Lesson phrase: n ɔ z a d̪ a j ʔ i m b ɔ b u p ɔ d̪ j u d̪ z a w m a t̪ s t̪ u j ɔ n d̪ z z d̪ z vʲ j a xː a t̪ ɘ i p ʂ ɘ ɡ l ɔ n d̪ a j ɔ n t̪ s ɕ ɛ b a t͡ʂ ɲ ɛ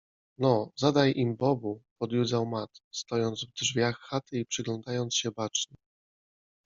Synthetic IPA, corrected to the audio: n ɔ z a d̪ a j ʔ i m b ɔ b u p ɔ d̪ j u d̪ z a w m a t̪ s t̪ ɔ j ɔ n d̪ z v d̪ ʐ vʲ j a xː a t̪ ɘ i p ʂ ɘ ɡ l ɔ n d̪ a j ɔ n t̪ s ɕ ɛ b a t͡ʂ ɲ ɛ